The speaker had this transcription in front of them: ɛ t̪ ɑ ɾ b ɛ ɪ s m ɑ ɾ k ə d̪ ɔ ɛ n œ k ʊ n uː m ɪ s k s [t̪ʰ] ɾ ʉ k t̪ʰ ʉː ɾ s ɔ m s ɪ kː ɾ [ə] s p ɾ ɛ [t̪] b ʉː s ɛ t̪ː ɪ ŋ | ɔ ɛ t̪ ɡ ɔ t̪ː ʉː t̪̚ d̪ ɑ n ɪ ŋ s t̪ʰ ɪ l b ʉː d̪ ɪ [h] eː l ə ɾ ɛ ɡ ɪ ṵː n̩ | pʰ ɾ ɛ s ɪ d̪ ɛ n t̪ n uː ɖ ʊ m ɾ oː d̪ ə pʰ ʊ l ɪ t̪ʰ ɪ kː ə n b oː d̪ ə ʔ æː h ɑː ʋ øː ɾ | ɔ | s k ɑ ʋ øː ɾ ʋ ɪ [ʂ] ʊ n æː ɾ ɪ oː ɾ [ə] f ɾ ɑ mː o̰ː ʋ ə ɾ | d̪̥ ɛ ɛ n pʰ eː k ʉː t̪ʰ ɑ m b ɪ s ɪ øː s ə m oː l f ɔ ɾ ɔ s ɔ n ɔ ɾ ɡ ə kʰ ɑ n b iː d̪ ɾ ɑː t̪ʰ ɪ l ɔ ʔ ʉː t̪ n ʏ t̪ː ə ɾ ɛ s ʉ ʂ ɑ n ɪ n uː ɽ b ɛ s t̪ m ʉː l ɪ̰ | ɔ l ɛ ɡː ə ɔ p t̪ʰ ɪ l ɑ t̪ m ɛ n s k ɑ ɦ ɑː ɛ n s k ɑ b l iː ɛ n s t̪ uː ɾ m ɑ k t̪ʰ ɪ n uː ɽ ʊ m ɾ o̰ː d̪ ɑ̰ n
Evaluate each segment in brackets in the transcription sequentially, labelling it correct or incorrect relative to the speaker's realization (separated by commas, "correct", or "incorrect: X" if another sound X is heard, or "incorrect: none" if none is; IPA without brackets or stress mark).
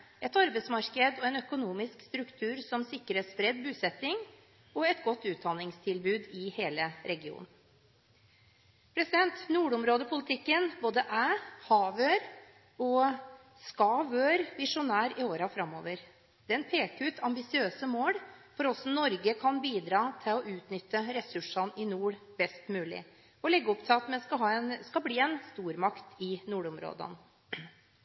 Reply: incorrect: t̪, correct, incorrect: d̪, correct, correct, incorrect: ɑ